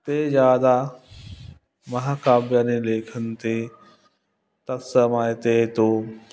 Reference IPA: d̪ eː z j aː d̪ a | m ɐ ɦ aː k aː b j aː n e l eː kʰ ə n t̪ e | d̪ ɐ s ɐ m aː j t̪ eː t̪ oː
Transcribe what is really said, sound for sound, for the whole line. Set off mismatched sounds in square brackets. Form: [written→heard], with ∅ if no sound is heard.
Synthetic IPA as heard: [d̪→t̪] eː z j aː d̪ a | m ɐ ɦ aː k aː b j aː n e l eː kʰ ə n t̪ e | [d̪→t̪] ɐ s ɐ m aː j t̪ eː t̪ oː